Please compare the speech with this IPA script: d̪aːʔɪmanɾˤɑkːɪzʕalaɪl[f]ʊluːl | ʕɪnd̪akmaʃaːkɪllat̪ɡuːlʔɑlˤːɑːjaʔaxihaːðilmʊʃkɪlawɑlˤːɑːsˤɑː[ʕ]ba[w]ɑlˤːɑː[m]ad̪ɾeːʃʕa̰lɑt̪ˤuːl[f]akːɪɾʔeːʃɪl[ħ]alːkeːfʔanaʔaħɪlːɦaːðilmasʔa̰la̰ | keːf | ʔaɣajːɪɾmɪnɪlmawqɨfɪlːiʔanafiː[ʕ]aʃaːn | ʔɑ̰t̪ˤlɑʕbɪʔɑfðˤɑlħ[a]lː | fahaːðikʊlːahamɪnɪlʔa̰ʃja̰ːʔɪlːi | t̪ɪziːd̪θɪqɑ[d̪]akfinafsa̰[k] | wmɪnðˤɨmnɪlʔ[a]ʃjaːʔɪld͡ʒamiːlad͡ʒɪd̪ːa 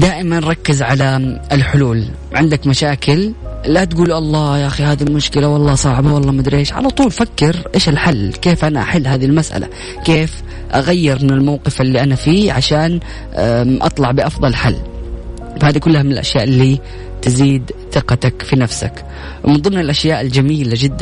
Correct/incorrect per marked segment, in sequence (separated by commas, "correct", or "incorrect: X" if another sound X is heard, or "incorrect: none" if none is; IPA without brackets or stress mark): incorrect: ħ, correct, correct, correct, correct, correct, correct, correct, incorrect: t̪, correct, correct